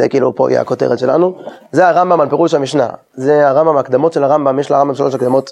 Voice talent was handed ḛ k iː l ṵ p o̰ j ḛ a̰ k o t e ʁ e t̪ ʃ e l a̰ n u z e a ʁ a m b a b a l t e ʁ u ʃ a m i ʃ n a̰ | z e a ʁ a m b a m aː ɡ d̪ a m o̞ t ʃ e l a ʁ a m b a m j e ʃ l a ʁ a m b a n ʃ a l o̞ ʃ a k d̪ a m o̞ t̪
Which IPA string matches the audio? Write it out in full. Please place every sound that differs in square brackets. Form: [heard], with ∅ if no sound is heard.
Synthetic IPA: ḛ k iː l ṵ p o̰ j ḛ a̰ k o t e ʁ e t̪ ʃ e l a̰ n u z e a ʁ a m b a [m] a l [p] e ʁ u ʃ a m i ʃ n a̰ | z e a ʁ a m b a m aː [k] d̪ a m o̞ t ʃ e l a ʁ a m b a m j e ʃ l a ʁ a m b a [m] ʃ a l o̞ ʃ a k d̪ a m o̞ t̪